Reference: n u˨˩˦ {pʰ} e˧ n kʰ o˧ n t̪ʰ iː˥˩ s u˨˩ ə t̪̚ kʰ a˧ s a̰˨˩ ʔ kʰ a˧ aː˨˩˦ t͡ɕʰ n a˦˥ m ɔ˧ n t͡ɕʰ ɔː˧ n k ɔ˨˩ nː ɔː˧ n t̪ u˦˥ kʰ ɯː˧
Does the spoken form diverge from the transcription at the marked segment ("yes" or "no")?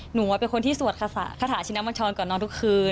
yes